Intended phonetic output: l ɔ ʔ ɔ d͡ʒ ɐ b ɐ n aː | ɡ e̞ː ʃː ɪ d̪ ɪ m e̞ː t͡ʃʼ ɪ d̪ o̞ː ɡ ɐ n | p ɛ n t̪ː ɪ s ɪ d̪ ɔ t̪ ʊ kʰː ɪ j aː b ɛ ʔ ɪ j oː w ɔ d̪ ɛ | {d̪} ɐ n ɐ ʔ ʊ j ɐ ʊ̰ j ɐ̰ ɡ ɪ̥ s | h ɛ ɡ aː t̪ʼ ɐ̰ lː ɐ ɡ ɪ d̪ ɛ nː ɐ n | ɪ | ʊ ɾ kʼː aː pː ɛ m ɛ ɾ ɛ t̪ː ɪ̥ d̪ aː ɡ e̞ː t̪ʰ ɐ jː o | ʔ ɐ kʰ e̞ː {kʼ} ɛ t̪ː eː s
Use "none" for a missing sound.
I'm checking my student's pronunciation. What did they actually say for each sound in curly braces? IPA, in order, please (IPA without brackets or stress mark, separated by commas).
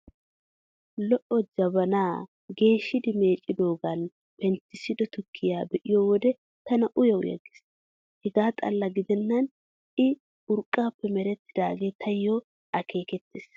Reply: t̪, k